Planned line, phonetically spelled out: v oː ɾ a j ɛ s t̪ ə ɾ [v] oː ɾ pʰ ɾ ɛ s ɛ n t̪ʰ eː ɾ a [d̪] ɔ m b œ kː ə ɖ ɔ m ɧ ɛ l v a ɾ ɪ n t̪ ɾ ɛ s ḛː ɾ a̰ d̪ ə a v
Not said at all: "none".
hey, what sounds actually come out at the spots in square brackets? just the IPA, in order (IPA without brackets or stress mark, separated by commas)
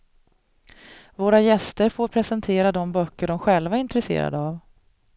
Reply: f, d̪